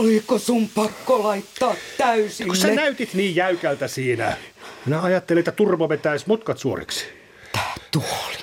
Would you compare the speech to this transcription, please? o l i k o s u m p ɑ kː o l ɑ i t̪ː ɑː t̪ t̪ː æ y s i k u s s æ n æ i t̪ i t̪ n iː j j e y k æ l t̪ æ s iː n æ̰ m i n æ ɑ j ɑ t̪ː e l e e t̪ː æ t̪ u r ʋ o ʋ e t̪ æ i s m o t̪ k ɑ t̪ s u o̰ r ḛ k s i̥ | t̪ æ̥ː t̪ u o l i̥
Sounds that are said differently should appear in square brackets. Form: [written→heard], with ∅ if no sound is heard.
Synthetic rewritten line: o l i k o s u m p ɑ kː o l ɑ i t̪ː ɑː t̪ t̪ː æ y s i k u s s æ n æ [i→y] t̪ i t̪ n iː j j [e→æ] y k æ l t̪ æ s iː n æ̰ m i n æ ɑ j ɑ t̪ː e l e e t̪ː æ t̪ u r ʋ o ʋ e t̪ æ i s m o t̪ k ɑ t̪ s u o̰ r ḛ k s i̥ | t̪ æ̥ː t̪ u o l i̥